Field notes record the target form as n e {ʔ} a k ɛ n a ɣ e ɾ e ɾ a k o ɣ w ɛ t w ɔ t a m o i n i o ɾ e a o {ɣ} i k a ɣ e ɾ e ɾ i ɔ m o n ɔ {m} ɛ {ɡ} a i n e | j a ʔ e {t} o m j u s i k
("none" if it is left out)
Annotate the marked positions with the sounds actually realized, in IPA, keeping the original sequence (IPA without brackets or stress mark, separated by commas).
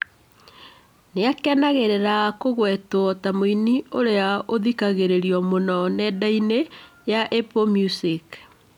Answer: none, ð, n, d, p